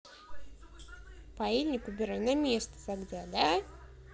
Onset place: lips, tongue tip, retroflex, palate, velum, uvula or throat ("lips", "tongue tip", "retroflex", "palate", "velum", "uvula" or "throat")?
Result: lips